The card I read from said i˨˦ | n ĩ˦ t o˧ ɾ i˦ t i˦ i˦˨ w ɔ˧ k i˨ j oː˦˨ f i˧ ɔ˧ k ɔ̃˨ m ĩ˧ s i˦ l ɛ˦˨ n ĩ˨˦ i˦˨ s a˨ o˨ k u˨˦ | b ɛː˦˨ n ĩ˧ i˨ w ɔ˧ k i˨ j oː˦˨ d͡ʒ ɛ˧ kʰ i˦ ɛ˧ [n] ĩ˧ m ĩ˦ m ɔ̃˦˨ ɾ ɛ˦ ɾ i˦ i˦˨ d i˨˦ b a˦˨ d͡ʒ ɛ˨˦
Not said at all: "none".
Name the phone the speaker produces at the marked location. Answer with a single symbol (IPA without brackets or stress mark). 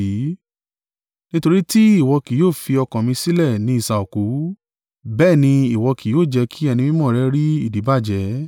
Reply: n